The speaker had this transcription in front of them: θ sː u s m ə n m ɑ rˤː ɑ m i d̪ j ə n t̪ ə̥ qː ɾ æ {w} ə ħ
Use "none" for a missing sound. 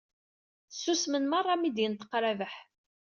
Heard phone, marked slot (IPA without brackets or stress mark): v